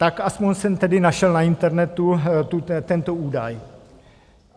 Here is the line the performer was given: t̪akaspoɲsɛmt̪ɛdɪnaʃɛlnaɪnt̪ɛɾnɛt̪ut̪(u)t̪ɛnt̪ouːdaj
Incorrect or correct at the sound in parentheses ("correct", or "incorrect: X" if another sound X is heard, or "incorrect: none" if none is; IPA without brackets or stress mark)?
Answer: correct